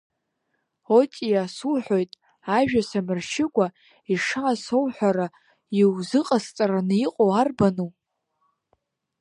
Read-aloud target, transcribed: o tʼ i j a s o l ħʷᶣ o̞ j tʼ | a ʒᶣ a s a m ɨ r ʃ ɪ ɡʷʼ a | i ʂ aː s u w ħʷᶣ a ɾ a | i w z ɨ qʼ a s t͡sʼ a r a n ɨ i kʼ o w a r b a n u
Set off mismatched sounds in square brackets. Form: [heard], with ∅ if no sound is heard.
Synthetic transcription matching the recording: o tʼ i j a s [u] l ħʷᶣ o̞ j tʼ | a ʒᶣ a s a m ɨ r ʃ ɪ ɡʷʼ a | i ʂ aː s [o] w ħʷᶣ a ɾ a | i w z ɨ qʼ a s t͡sʼ a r a n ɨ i [qʼ] o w a r b a n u